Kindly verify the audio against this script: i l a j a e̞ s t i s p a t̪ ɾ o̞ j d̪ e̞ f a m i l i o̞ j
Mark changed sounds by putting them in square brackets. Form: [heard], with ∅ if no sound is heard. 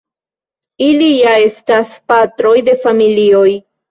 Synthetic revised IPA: i l [i] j a e̞ s t [a] s p a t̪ ɾ o̞ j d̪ e̞ f a m i l i o̞ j